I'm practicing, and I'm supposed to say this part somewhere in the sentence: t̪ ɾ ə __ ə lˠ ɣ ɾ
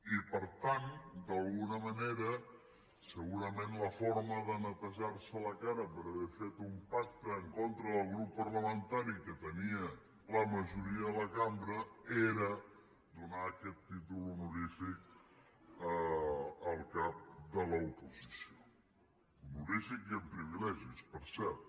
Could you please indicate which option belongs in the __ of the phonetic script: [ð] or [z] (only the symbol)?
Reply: ð